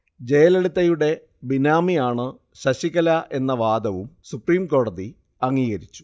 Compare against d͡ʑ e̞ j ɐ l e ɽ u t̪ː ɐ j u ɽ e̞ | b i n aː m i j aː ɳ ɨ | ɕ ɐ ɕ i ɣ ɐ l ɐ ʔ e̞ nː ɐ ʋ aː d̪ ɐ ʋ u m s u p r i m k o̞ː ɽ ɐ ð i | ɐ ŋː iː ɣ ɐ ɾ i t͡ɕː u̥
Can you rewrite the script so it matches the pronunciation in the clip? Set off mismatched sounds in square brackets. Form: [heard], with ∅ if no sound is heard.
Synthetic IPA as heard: d͡ʑ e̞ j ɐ l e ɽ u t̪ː ɐ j u ɽ e̞ | b i n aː m i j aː ɳ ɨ | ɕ ɐ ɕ i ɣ ɐ l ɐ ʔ e̞ nː ɐ ʋ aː d̪ ɐ ʋ u m s u p r [iː] m k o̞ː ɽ ɐ ð i | ɐ ŋː iː ɣ ɐ ɾ i t͡ɕː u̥